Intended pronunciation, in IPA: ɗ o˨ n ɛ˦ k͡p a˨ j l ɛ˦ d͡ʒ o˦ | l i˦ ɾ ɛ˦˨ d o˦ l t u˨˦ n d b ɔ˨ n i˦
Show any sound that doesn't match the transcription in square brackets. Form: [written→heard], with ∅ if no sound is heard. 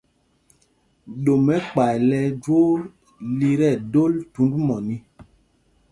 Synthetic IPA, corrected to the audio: ɗ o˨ [n→m] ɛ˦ k͡p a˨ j l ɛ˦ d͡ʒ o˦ | l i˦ ɾ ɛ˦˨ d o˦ l t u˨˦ n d [b→m] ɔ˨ n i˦